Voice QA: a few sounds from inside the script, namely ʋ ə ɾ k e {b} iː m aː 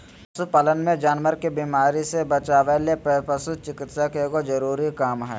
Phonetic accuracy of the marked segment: correct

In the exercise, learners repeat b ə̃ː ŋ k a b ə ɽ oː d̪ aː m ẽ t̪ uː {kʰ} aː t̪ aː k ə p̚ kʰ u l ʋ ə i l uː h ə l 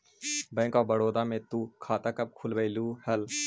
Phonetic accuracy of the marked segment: correct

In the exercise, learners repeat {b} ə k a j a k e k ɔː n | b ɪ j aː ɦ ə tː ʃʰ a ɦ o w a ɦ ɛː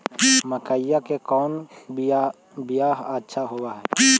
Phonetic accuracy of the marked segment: incorrect: m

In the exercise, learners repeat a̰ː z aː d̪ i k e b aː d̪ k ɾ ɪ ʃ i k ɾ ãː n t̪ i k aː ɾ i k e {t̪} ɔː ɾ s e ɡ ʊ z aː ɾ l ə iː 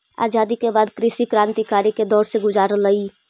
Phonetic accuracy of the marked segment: incorrect: d̪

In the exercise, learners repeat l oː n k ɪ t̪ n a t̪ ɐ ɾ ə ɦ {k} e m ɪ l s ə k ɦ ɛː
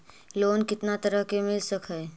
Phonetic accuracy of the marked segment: correct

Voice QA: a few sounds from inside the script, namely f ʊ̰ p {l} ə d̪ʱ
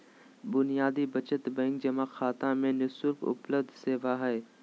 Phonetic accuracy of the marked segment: correct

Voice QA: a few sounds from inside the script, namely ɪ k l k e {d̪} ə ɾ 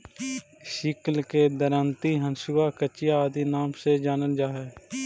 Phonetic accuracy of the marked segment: correct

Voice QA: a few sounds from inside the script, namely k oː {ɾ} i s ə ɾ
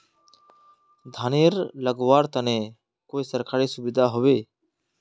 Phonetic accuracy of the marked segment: incorrect: none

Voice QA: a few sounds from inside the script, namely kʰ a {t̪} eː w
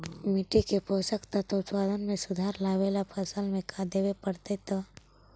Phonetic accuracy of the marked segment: incorrect: d̪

